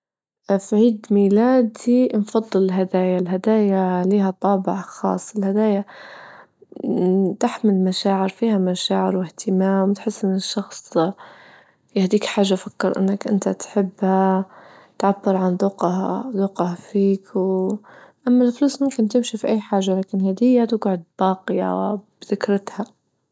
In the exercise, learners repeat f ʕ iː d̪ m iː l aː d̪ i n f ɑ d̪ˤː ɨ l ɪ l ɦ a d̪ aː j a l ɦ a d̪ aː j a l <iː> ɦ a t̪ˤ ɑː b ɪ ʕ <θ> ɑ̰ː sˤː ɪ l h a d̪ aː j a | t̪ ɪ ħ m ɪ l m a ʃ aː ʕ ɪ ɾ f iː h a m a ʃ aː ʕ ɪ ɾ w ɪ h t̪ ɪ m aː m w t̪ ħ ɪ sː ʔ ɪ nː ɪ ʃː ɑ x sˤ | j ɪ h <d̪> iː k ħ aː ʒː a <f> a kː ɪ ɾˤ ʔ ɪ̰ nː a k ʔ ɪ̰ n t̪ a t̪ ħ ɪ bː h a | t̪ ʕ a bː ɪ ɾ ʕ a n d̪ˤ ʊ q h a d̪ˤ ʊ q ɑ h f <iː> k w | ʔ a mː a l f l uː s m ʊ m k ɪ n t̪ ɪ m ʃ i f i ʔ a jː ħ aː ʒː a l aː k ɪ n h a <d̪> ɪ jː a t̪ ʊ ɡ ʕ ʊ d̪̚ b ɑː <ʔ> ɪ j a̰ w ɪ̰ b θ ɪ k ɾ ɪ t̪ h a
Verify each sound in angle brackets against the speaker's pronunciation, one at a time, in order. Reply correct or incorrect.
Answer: correct, incorrect: x, correct, correct, correct, correct, incorrect: q

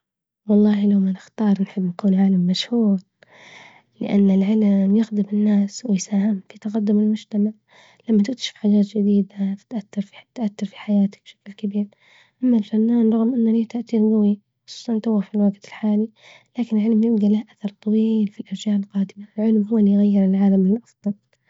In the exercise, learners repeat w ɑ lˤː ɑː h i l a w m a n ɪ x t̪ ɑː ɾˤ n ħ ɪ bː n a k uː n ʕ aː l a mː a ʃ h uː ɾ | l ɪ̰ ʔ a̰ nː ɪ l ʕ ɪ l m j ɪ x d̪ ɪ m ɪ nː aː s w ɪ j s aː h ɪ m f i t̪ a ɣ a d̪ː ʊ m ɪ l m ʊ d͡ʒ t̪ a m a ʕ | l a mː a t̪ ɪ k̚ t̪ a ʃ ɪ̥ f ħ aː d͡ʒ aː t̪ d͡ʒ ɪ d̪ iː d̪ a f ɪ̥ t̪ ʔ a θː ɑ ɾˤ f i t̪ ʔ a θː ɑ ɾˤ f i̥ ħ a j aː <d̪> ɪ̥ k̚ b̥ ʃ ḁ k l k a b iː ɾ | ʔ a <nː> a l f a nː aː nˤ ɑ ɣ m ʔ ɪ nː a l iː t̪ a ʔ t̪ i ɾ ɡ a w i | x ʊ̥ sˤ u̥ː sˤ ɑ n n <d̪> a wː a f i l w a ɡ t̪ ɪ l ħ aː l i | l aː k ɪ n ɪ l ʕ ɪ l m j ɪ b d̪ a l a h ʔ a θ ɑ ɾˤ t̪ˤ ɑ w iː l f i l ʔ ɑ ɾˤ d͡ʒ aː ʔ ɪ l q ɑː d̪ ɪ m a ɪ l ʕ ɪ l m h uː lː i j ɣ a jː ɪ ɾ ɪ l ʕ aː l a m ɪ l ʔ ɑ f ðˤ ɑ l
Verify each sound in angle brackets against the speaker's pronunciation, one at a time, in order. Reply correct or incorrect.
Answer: incorrect: t̪, incorrect: mː, incorrect: t̪

